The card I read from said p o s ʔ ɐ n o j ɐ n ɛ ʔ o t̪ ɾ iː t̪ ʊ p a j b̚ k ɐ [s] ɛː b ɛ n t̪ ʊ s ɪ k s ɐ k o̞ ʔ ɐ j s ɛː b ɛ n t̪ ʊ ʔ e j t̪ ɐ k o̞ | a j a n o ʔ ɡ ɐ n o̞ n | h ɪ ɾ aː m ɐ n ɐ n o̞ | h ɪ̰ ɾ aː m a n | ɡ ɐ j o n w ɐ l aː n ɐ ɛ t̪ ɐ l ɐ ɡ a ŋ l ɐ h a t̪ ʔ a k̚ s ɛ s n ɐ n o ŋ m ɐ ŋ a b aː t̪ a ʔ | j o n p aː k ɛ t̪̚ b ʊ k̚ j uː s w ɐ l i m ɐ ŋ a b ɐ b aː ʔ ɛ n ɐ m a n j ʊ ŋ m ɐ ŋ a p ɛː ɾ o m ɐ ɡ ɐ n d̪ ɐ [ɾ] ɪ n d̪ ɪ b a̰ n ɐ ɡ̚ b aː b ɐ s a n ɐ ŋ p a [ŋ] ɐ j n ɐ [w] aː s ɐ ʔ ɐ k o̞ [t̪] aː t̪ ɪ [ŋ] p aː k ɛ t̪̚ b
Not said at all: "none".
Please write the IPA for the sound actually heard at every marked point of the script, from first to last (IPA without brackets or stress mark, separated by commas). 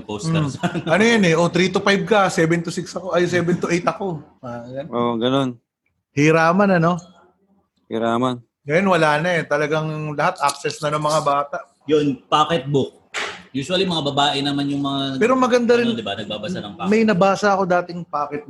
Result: s, ɾ, m, b, d̪, ŋ